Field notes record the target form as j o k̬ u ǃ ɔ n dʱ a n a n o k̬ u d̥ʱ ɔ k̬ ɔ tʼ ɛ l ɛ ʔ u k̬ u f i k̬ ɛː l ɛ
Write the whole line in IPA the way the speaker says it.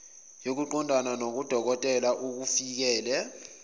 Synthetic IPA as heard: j o k̬ u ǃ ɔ n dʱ a n a n o k̬ u d̥ʱ ɔ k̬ ɔ tʼ ɛ l a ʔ u k̬ u f i k̬ ɛː l ɛ